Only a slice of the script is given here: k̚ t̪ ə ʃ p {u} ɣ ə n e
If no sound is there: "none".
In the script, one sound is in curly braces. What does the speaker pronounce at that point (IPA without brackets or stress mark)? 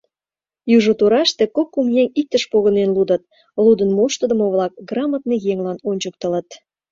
o